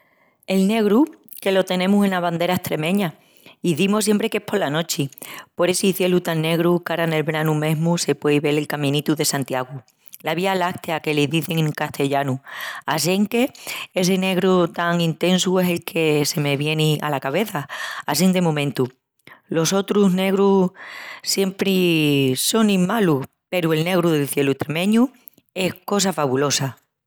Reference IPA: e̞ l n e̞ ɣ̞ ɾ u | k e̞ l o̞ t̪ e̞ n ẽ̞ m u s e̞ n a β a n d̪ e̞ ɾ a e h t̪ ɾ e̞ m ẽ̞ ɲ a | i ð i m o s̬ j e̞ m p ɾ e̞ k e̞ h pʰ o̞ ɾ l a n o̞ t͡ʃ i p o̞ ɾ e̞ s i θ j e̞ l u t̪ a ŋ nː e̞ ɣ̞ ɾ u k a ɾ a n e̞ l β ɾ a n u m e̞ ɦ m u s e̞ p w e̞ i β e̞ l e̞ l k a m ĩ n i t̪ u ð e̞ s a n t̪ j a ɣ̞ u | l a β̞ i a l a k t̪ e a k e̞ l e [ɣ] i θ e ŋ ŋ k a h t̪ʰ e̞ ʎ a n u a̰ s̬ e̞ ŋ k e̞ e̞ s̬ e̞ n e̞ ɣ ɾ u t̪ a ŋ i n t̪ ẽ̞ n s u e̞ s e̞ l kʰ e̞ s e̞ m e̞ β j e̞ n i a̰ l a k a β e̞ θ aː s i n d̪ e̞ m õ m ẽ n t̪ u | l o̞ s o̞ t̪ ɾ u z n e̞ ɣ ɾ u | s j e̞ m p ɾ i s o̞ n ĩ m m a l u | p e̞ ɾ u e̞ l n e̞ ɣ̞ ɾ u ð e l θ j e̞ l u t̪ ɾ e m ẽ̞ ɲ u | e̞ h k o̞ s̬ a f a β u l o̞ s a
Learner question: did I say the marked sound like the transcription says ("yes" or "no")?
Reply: no